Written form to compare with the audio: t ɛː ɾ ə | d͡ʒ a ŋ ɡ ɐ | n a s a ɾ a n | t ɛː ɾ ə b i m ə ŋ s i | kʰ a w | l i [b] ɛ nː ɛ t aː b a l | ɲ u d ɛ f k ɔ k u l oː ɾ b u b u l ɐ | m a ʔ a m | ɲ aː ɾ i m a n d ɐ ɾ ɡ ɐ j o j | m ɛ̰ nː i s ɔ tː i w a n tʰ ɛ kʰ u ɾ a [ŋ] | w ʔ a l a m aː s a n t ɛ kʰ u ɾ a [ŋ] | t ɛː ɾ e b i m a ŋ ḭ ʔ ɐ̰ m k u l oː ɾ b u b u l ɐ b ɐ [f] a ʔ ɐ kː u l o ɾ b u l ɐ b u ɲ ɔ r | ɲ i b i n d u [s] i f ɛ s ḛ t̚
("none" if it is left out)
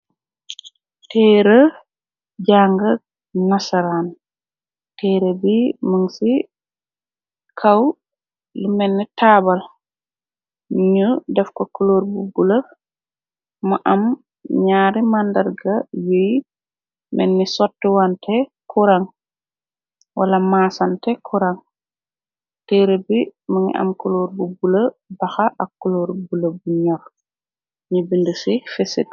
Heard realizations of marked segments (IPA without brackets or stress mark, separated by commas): m, ŋ, ŋ, x, s